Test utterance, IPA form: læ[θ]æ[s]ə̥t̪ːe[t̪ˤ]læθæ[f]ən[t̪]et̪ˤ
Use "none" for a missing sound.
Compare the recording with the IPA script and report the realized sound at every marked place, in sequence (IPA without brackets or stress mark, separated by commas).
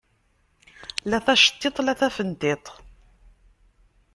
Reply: θ, ʃ, t̪ˤ, f, t̪